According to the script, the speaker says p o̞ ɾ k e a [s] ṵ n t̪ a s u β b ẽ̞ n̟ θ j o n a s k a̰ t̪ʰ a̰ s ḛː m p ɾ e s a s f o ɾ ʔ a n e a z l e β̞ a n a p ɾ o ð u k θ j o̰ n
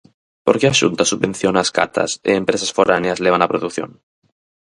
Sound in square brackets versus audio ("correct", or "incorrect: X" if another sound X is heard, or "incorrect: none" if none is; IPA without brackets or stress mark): incorrect: ʃ